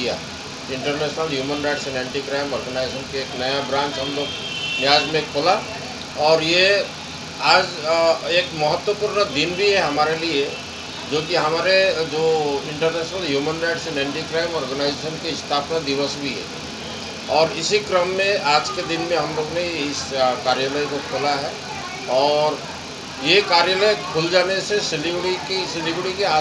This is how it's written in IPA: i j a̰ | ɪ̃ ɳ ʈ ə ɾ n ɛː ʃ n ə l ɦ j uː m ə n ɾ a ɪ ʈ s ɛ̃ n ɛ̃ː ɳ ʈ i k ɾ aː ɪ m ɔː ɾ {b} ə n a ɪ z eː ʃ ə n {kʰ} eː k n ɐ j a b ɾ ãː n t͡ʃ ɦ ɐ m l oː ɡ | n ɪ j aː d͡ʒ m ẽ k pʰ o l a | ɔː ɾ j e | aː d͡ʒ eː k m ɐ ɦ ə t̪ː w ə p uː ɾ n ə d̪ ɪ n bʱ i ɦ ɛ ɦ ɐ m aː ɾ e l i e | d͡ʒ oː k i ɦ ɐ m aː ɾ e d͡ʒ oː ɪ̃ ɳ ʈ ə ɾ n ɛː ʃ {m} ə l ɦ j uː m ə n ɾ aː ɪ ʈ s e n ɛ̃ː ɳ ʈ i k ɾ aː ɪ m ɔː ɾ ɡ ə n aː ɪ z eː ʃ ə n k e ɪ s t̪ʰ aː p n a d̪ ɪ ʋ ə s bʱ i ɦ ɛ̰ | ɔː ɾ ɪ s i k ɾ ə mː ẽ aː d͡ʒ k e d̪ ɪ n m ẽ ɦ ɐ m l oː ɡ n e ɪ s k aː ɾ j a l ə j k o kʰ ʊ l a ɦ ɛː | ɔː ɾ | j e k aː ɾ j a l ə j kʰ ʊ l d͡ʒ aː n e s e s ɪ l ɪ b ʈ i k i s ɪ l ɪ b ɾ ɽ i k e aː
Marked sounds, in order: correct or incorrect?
incorrect: ɡ, incorrect: k, incorrect: n

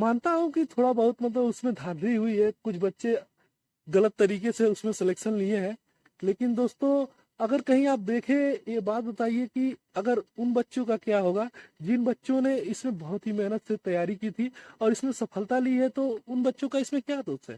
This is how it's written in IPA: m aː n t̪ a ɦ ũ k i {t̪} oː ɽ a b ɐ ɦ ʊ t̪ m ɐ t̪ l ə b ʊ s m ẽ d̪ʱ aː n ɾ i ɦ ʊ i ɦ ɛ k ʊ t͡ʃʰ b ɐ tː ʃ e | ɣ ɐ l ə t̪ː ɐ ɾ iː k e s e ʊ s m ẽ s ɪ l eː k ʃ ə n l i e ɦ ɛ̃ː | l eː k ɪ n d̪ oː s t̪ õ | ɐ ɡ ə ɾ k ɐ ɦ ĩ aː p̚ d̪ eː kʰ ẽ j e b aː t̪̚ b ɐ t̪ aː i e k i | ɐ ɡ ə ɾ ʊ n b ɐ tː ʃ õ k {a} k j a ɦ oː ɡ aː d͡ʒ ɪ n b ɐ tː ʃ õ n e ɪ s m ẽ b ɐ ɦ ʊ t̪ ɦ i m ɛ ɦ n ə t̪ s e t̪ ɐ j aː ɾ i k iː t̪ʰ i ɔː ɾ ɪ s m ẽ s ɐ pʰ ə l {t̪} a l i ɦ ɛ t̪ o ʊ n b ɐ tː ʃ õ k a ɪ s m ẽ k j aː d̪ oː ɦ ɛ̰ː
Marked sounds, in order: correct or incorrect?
incorrect: t̪ʰ, correct, correct

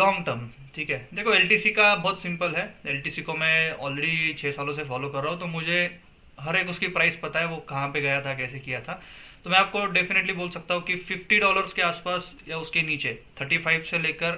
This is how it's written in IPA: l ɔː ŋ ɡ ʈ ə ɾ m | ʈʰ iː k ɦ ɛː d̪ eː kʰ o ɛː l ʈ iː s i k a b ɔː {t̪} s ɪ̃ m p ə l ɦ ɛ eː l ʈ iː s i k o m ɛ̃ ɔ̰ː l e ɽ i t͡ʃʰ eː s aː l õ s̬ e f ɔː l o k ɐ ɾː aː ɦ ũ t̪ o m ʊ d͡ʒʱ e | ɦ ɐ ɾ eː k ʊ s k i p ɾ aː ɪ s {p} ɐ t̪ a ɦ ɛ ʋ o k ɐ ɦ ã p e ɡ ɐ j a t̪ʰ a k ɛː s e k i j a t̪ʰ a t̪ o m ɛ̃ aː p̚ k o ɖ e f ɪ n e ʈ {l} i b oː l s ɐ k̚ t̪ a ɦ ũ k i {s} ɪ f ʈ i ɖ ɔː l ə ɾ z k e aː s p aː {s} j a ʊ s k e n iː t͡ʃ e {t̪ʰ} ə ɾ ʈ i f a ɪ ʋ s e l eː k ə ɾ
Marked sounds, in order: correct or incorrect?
correct, correct, correct, incorrect: f, correct, correct

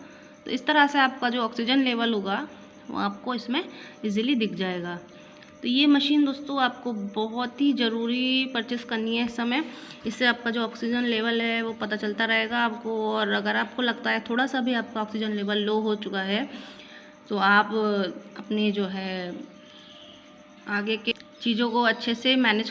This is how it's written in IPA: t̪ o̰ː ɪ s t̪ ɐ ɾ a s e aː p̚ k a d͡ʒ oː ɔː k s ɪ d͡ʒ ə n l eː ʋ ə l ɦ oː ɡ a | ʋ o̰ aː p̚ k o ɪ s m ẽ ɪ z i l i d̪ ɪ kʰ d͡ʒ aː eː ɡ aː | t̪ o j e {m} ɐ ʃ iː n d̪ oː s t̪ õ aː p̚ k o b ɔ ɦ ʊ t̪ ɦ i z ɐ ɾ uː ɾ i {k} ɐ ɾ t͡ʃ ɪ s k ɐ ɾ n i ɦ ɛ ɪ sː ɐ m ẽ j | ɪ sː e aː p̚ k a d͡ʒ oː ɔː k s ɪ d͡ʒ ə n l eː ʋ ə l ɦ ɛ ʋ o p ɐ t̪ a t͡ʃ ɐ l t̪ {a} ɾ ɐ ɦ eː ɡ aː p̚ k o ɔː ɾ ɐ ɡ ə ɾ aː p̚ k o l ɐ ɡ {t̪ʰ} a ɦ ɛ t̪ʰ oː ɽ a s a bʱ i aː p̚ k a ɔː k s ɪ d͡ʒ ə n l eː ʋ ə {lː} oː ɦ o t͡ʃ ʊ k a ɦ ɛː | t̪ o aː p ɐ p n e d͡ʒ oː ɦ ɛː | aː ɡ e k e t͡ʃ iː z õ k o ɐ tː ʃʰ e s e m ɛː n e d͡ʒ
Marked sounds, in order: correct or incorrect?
correct, incorrect: p, correct, incorrect: t̪, correct

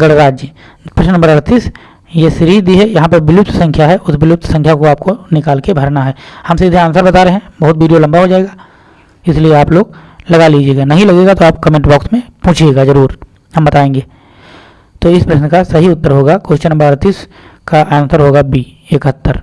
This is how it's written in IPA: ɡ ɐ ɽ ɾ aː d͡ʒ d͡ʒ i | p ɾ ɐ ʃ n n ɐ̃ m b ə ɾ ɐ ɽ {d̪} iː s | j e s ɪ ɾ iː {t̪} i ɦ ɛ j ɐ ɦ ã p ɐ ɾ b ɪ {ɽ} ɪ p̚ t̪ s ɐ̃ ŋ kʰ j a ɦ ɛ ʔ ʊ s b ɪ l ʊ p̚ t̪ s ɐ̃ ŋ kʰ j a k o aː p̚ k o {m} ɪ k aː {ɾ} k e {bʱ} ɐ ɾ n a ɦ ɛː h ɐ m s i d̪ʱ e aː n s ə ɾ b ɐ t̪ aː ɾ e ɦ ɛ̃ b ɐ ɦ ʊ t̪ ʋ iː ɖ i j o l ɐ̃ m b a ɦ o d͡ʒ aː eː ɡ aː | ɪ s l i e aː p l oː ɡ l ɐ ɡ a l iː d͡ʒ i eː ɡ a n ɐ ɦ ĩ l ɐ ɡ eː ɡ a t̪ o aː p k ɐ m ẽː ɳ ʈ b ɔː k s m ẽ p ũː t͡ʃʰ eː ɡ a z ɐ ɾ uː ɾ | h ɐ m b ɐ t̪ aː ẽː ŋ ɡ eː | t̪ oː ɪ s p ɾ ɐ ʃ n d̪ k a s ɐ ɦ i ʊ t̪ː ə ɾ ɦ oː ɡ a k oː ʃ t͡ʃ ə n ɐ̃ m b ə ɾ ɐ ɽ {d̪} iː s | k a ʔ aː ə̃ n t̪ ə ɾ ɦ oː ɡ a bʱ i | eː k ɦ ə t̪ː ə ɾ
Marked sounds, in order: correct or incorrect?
incorrect: t̪, incorrect: d̪, incorrect: l, incorrect: n, incorrect: l, correct, incorrect: t̪

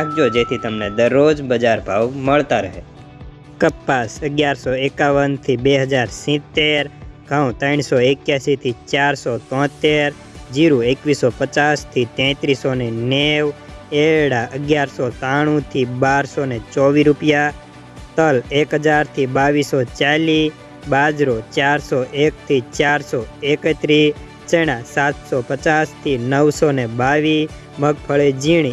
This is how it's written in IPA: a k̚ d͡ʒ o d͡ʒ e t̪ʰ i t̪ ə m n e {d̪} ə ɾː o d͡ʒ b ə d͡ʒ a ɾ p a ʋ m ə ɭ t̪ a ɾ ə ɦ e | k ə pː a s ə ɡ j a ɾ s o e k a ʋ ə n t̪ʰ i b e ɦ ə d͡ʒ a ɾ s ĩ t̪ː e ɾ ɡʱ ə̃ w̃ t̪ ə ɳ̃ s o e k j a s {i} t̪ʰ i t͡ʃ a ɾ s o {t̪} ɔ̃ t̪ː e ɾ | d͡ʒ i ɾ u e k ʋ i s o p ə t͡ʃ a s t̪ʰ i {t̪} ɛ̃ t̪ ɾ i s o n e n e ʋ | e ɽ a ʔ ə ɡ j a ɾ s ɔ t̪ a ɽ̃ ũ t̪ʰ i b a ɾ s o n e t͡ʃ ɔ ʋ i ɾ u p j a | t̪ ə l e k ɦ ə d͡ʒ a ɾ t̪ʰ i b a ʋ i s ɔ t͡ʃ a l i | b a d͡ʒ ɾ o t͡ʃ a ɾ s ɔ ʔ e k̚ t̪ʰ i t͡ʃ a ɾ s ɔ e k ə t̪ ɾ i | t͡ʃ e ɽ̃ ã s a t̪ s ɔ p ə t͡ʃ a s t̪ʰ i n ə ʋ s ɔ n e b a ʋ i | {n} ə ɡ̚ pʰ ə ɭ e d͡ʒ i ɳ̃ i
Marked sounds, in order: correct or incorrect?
correct, correct, correct, correct, incorrect: m

